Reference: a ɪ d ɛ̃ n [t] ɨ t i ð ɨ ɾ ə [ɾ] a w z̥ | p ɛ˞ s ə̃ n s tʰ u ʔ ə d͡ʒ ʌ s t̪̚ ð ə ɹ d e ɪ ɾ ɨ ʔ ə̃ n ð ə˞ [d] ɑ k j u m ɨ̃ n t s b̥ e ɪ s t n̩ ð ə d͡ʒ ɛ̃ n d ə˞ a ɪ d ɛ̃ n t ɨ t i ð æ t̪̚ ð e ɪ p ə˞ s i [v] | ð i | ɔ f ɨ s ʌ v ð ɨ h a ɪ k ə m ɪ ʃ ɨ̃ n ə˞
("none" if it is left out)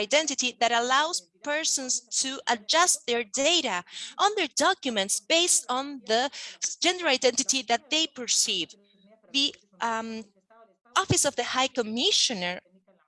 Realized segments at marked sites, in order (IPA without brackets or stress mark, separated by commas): t, l, d, v